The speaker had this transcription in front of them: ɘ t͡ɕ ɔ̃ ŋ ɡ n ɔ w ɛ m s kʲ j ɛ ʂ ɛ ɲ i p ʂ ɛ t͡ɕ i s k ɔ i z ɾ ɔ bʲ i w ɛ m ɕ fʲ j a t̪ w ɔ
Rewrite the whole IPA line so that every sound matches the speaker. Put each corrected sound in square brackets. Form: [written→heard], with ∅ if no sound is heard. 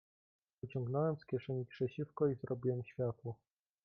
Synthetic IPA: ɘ t͡ɕ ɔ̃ ŋ ɡ n ɔ w ɛ m s kʲ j ɛ ʂ ɛ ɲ i p ʂ ɛ t͡ɕ i [s→f] k ɔ i z ɾ ɔ bʲ i w ɛ m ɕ fʲ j a t̪ w ɔ